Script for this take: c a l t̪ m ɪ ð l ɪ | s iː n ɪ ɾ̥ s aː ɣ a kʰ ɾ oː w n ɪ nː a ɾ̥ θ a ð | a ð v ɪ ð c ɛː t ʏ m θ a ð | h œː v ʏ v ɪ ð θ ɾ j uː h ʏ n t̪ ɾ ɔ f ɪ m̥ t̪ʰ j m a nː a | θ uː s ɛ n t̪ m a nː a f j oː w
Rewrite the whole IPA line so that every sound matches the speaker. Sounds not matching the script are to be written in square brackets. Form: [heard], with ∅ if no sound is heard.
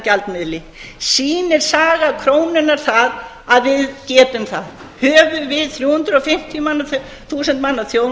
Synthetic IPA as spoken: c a l t̪ m ɪ ð l ɪ | s iː n ɪ ɾ̥ s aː ɣ a kʰ ɾ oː w n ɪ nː a ɾ̥ θ a ð | a ð v ɪ ð c ɛː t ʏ m θ a ð | h œː v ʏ v ɪ ð θ ɾ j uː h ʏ n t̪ ɾ ɔ f ɪ m̥ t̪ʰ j m a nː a | θ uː s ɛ n t̪ m a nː a [θ] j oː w